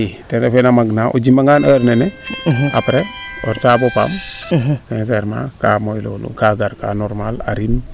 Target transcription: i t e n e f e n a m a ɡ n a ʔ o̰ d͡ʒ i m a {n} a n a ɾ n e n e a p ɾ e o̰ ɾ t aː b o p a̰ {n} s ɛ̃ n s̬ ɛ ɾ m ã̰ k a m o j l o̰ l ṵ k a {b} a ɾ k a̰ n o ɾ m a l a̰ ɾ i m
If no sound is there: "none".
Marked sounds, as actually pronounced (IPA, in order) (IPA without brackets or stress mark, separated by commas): ŋ, m, ɡ